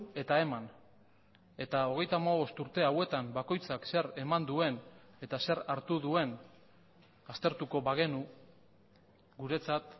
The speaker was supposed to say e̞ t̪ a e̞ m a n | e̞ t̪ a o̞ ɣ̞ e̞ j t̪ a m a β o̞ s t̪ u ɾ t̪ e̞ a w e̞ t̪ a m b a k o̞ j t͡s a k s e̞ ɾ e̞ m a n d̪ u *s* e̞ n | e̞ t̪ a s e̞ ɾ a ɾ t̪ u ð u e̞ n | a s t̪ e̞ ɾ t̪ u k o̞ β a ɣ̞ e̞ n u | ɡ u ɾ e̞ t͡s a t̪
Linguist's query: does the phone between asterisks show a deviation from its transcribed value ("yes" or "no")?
yes